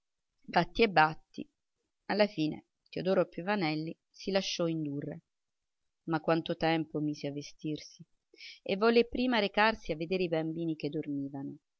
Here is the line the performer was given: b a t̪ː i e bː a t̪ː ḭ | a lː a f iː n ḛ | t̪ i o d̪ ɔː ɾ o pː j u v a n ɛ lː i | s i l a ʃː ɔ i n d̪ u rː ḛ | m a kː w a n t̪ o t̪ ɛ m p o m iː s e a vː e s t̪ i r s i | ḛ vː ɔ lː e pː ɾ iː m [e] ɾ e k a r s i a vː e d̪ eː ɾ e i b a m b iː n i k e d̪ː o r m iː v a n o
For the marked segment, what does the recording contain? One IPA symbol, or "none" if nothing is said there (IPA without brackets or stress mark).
a